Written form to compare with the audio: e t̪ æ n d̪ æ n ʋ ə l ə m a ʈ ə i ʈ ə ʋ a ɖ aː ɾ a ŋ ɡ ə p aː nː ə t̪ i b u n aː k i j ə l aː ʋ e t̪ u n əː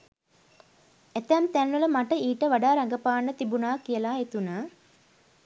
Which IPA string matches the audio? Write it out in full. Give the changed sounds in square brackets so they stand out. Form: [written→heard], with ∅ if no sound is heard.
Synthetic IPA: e t̪ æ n [d̪→t̪] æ n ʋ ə l ə m a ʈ ə [i→iː] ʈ ə ʋ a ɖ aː ɾ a ŋ ɡ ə p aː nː ə t̪ i b u n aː k i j ə l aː [ʋ→∅] e t̪ u n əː